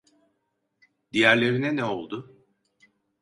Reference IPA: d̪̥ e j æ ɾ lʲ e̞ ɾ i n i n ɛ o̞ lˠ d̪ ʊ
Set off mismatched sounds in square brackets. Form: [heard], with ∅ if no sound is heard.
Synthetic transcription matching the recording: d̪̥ [i] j æ ɾ lʲ e̞ ɾ i n [ɛ] n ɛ o̞ lˠ d̪ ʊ